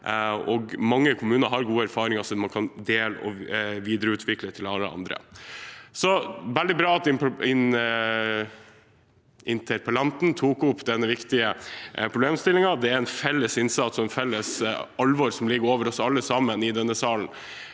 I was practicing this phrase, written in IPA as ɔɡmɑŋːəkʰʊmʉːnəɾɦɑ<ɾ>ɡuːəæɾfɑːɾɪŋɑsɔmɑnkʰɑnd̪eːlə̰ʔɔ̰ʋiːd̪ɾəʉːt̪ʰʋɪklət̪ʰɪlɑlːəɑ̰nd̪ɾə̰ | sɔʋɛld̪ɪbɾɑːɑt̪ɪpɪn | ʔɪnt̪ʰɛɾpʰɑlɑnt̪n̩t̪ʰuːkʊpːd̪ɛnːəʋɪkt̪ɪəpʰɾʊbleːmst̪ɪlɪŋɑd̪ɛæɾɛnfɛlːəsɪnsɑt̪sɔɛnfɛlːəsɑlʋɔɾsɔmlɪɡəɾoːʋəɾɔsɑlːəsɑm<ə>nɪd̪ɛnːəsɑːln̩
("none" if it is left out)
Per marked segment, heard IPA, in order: ɾ, ə

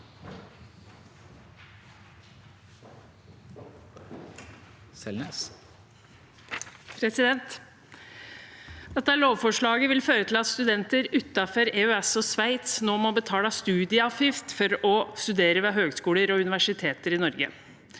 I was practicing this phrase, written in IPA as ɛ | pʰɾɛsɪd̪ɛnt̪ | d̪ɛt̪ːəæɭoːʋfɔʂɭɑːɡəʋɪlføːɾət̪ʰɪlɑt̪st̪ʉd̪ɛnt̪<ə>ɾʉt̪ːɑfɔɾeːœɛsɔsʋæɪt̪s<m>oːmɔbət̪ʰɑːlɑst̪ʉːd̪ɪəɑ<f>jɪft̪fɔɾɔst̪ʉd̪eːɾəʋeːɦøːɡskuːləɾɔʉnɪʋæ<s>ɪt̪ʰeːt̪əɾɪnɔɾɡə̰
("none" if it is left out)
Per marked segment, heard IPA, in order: ə, n, f, ʂ

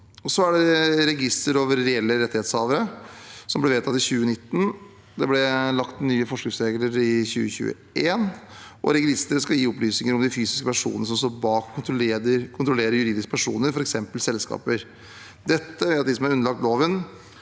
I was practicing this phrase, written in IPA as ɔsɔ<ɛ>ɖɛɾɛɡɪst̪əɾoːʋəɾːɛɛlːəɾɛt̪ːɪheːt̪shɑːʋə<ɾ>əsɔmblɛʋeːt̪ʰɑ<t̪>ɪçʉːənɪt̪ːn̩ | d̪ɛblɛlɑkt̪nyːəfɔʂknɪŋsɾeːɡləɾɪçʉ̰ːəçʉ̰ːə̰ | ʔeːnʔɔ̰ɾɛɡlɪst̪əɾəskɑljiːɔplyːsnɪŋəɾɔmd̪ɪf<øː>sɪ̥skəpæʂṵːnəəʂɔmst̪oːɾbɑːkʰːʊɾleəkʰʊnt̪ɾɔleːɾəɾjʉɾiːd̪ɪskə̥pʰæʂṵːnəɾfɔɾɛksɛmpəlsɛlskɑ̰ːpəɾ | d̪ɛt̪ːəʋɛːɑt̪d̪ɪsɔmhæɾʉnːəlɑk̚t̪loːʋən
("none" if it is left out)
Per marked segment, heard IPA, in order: æ, ɾ, t̪, yː

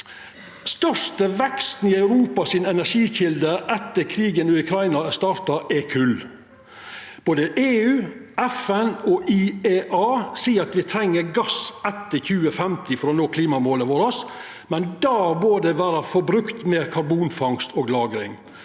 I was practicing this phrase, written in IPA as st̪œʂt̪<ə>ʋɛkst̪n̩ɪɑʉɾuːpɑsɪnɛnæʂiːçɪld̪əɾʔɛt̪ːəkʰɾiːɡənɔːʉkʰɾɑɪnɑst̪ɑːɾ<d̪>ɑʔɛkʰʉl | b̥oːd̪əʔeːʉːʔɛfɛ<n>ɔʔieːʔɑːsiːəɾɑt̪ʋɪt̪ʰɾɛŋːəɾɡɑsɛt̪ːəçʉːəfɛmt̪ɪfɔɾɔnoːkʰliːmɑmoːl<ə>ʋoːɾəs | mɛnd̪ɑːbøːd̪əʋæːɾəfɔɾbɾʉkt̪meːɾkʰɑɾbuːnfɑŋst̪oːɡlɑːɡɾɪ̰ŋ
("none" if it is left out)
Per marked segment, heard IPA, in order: ə, t̪, n, ə

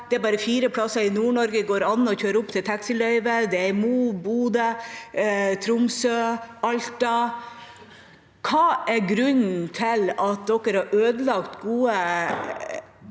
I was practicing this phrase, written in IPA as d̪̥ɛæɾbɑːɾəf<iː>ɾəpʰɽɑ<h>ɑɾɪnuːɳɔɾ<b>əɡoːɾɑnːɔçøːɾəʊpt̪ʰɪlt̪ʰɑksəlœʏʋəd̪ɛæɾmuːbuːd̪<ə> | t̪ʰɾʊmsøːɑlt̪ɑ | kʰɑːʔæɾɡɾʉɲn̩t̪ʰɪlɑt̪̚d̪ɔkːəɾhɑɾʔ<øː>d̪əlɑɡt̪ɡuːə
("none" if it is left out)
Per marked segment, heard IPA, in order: iː, s, ɡ, ə, øː

